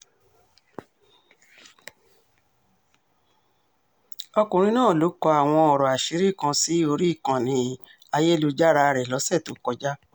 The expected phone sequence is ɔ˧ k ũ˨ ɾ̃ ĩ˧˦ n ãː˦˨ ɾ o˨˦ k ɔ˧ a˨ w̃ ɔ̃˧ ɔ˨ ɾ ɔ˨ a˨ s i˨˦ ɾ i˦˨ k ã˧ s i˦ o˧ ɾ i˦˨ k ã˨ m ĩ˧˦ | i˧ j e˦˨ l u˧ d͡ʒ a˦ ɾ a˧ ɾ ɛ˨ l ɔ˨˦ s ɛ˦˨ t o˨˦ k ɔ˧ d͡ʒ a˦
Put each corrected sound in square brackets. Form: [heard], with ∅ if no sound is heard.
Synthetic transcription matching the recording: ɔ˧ k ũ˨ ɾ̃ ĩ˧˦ n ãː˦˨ [l] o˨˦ k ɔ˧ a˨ w̃ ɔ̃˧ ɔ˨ ɾ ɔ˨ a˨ [ʃ] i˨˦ ɾ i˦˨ k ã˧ s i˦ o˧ ɾ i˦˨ k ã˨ [n] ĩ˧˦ | [a˧] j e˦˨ l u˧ d͡ʒ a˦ ɾ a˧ ɾ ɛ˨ l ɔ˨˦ s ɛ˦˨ t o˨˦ k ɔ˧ d͡ʒ a˦